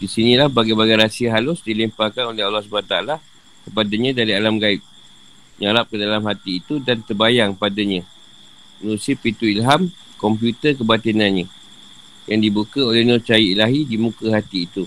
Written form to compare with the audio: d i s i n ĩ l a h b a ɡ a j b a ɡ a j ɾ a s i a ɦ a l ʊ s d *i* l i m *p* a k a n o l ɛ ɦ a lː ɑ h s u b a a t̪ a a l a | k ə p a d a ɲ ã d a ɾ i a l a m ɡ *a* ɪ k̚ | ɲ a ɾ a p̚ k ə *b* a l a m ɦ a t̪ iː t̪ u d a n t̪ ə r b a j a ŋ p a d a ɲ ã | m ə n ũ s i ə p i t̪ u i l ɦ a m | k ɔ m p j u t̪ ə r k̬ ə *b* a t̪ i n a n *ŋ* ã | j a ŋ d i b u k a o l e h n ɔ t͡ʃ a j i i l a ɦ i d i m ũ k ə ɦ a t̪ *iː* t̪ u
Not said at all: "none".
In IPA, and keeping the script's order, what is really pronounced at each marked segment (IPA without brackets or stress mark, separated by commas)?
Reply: i, p, a, d, b, ɲ, iː